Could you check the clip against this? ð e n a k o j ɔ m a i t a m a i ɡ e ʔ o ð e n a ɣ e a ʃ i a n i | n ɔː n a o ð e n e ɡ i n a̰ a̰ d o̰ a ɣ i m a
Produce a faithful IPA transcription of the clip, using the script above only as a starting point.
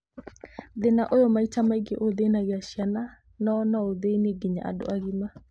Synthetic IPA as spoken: ð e n a ʔ o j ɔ m a i t a m a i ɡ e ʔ o ð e n a ɣ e a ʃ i a n a | n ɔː n a o ð e n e ɡ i ɲ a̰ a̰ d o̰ a ɣ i m a